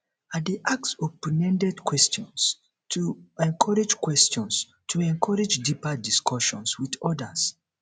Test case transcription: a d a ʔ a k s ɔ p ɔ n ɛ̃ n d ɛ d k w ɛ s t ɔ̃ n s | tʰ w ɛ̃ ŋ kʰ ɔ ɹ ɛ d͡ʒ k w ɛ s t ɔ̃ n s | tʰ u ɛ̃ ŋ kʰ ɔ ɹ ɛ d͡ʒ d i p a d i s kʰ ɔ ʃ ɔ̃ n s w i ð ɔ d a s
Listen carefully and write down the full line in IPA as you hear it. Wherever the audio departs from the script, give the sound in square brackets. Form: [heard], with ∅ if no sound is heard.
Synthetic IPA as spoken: a d [e] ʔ a k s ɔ p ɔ n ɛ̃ n d ɛ d k w ɛ s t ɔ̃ n s | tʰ [u] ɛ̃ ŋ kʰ ɔ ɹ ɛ d͡ʒ k w ɛ s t ɔ̃ n s | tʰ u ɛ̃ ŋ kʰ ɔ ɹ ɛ d͡ʒ d i p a d i s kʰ ɔ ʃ ɔ̃ n s w i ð ɔ d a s